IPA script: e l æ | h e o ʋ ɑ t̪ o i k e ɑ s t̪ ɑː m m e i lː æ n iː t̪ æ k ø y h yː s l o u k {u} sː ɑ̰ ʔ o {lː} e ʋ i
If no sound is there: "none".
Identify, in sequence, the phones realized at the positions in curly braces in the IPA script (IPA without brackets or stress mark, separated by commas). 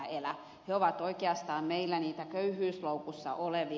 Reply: u, l